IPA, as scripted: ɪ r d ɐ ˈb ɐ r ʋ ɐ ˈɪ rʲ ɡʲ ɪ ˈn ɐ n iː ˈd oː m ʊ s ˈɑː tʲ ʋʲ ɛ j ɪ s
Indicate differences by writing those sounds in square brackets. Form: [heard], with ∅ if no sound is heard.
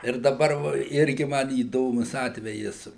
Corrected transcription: ɪ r d ɐ ˈb ɐ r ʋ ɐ ˈɪ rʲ ɡʲ ɪ [ˈm] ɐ n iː ˈd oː m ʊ s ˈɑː tʲ ʋʲ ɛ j ɪ s